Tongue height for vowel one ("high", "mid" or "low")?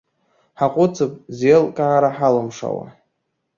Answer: low